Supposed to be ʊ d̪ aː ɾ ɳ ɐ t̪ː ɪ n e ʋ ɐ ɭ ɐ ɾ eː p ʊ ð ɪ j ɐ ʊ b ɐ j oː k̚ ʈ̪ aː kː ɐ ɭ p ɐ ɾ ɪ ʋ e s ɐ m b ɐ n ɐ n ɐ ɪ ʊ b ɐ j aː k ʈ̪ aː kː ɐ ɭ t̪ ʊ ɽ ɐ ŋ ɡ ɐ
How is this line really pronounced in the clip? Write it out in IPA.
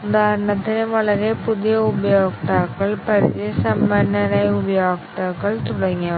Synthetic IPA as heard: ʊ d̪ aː ɾ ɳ ɐ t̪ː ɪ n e ʋ ɐ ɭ ɐ ɾ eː p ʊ ð ɪ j ɐ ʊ b ɐ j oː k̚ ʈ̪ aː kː ɐ ɭ p ɐ ɾ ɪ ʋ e s ɐ m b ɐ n ɐ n ɐ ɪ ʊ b ɐ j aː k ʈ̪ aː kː ɐ ɭ t̪ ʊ ɽ ɐ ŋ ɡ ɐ

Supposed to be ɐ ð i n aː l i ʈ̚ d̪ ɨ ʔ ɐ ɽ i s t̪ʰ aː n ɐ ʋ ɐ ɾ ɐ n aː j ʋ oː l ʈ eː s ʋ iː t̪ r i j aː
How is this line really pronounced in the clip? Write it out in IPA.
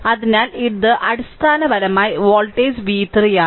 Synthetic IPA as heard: ɐ ð i n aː l i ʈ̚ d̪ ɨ ʔ ɐ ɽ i s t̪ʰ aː n ɐ ʋ ɐ ɾ ɐ m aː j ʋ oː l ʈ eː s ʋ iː t̪ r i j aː

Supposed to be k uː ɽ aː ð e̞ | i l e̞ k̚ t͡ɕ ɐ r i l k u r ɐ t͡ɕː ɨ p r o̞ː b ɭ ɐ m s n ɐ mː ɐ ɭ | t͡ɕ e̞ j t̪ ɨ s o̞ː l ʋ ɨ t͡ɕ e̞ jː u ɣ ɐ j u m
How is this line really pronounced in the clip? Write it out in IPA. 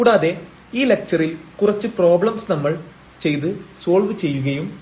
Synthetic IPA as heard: k uː ɽ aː ð e̞ | iː l e̞ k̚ t͡ɕ ɐ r i l k u r ɐ t͡ɕː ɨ p r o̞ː b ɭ ɐ m s n ɐ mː ɐ ɭ | t͡ɕ e̞ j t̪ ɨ s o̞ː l ʋ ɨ t͡ɕ e̞ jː u ɣ ɐ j u m

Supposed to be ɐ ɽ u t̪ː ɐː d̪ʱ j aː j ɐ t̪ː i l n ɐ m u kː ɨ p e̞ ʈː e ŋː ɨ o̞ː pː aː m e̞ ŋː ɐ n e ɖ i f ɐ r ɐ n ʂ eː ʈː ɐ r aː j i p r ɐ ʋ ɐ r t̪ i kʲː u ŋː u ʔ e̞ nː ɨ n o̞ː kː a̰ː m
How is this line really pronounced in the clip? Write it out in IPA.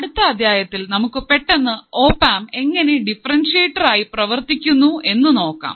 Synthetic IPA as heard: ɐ ɽ u t̪ː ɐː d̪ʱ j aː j ɐ t̪ː i l n ɐ m u kː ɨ p e̞ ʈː e nː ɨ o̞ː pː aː m e̞ ŋː ɐ n e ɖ i f ɐ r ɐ n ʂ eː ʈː ɐ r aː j i p r ɐ ʋ ɐ r t̪ i kʲː u nː u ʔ e̞ nː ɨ n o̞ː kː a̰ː m

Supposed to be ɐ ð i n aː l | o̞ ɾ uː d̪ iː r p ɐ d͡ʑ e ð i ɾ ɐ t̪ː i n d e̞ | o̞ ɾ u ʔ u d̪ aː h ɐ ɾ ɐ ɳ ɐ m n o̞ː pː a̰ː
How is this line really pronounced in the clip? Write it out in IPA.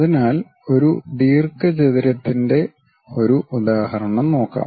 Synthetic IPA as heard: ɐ ð i n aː l | o̞ ɾ u d̪ iː r k ɐ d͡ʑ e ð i ɾ ɐ t̪ː i n d e̞ | o̞ ɾ u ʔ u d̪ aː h ɐ ɾ ɐ ɳ ɐ m n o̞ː kː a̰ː

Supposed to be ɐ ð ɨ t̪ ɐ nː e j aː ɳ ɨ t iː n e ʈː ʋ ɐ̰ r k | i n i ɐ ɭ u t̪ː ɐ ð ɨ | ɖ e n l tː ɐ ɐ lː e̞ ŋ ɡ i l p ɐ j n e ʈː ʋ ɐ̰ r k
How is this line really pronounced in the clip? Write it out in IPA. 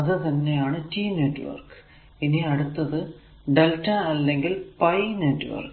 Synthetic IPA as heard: ɐ ð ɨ t̪ ɐ nː e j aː ɳ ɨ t iː n e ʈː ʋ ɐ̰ r k | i n i ɐ ɽ u t̪ː ɐ ð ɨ | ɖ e l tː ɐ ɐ lː e̞ ŋ ɡ i l p ɐ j n e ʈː ʋ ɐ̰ r k

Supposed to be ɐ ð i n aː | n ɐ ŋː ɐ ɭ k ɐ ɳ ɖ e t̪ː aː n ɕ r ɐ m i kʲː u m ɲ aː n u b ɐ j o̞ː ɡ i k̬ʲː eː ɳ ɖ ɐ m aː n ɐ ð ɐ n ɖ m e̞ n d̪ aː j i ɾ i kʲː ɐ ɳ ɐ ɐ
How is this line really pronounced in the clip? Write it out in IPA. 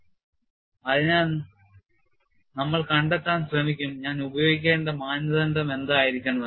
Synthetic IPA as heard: ɐ ð i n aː | n ɐ mː ɐ ɭ k ɐ ɳ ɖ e t̪ː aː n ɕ r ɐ m i kʲː u m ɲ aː n u b ɐ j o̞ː ɡ i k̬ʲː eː ɳ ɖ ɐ m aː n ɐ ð ɐ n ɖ m e̞ n d̪ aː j i ɾ i kʲː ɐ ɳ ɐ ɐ

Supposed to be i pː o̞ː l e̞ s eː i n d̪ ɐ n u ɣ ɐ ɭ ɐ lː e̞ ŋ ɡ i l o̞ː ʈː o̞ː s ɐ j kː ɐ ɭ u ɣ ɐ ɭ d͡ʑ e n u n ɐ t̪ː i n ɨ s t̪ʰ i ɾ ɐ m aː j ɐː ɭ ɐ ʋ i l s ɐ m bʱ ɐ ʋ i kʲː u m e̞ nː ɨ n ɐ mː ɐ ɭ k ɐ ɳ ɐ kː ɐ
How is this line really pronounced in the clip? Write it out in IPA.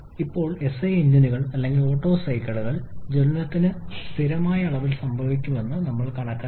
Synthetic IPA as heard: i pː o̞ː ɭ e̞ s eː i n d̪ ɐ n u ɣ ɐ ɭ ɐ lː e̞ ŋ ɡ i l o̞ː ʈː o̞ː s ɐ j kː ɐ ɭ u ɣ ɐ ɭ d͡ʑ e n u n ɐ t̪ː i n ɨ s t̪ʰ i ɾ ɐ m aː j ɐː ɭ ɐ ʋ i l s ɐ m bʱ ɐ ʋ i kʲː u m e̞ nː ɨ n ɐ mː ɐ ɭ k ɐ ɳ ɐ kː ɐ

